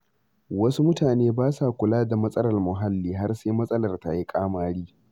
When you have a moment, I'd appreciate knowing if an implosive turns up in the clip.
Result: no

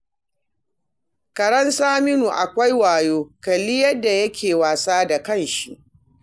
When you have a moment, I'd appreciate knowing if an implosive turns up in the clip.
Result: no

